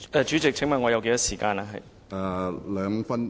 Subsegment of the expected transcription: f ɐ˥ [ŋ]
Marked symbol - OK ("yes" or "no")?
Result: no